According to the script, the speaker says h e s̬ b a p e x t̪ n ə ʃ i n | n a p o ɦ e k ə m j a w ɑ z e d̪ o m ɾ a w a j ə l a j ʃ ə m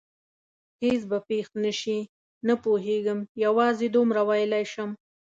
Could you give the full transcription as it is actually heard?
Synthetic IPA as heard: h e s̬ b a p e x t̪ n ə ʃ i | n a p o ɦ e ɡ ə m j a w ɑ z e d̪ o m ɾ a w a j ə l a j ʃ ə m